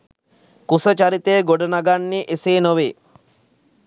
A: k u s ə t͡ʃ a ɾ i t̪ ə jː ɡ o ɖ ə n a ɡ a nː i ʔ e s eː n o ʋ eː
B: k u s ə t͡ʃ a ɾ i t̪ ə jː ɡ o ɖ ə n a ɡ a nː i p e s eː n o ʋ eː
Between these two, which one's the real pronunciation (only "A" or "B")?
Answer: A